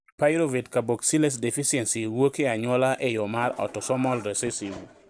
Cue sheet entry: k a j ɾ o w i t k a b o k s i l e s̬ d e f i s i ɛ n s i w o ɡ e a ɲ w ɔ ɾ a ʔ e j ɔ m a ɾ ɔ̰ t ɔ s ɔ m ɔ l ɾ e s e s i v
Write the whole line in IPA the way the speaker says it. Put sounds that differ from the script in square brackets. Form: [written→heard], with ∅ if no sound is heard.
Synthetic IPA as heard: [k→p] a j ɾ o [w→v] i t k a b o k s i l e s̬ d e f i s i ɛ n s i w o [ɡ→k] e a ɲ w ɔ [ɾ→l] a ʔ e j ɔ m a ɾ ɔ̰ t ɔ s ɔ m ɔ l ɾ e s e s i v